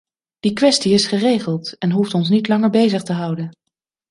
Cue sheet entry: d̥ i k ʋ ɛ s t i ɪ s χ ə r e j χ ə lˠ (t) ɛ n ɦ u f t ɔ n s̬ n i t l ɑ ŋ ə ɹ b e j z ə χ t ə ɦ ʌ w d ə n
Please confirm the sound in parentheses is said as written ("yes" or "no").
yes